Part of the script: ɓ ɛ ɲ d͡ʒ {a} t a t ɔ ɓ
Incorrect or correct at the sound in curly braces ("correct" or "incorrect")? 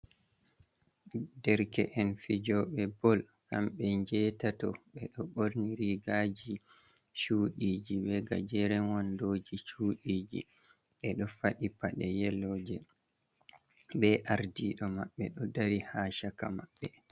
incorrect